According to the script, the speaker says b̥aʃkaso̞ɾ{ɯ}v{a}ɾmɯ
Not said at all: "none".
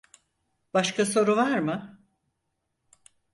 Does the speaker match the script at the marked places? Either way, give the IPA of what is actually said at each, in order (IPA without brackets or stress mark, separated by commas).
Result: u, a